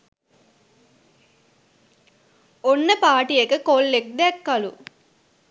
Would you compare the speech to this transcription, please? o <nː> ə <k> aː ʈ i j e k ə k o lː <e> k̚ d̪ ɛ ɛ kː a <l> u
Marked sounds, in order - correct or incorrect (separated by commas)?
correct, incorrect, correct, correct